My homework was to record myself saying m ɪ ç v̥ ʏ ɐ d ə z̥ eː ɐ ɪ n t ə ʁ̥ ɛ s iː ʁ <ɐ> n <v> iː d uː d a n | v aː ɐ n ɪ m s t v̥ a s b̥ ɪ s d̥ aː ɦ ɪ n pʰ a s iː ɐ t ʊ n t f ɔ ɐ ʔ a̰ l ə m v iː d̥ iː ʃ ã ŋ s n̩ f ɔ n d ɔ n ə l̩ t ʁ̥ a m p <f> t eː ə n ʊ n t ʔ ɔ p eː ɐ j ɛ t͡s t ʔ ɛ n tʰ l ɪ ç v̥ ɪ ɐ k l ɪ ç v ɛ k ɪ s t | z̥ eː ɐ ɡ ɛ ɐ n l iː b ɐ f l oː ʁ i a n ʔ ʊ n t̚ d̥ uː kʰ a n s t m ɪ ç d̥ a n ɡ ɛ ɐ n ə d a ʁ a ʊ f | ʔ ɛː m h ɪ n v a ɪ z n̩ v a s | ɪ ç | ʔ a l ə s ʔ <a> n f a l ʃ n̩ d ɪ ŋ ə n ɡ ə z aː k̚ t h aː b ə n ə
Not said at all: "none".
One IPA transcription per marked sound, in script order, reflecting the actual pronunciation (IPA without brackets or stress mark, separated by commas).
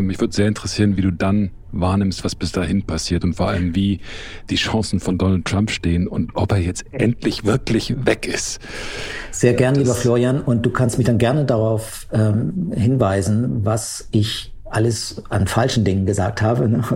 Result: ə, v, ʃ, a